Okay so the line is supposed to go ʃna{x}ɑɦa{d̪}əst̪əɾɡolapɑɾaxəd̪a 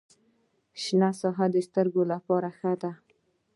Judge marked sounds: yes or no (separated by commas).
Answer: no, yes